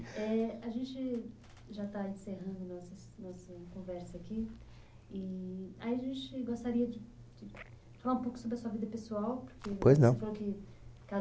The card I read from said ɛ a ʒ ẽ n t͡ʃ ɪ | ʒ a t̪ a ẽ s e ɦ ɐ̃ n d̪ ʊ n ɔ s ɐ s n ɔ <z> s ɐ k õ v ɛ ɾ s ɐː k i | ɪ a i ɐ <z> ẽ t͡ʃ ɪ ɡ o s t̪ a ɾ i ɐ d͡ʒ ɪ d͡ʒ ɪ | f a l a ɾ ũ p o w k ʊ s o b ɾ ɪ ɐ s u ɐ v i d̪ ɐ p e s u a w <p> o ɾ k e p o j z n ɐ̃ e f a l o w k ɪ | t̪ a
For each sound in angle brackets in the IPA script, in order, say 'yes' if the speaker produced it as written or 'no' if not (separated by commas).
no, no, yes